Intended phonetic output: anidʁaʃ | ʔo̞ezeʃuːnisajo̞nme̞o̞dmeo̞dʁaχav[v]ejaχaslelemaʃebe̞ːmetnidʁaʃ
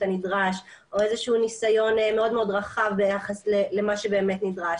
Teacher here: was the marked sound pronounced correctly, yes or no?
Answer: no